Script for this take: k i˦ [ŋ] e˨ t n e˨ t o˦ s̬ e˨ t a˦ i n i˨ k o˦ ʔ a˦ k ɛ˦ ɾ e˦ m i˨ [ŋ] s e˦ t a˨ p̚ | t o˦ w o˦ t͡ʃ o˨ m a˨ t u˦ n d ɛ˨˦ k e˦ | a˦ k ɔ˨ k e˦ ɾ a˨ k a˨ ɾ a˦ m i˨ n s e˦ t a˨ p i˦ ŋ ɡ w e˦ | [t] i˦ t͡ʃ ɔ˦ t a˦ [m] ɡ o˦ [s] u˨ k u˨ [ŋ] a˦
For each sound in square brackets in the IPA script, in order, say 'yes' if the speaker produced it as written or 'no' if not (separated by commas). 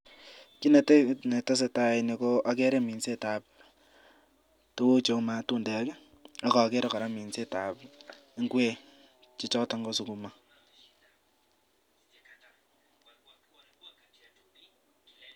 no, no, no, no, yes, no